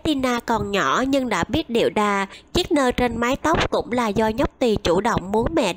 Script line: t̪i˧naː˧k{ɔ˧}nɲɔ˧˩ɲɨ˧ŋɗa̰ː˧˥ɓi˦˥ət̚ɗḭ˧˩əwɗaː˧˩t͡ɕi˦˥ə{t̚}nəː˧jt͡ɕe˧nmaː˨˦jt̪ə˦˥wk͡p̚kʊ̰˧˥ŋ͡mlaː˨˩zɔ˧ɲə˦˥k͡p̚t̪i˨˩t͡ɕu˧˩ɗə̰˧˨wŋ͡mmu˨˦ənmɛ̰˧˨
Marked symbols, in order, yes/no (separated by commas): no, no